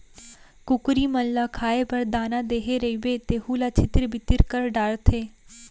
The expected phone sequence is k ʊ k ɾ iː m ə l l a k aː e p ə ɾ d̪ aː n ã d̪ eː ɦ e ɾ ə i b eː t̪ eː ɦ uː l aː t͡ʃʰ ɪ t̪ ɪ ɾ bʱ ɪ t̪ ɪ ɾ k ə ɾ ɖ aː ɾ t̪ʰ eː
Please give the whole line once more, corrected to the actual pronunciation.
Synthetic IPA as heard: k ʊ k ɾ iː m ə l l a kʰ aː e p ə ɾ d̪ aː n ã d̪ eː ɦ e ɾ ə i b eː t̪ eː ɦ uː l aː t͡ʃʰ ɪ t̪ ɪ ɾ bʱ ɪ t̪ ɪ ɾ k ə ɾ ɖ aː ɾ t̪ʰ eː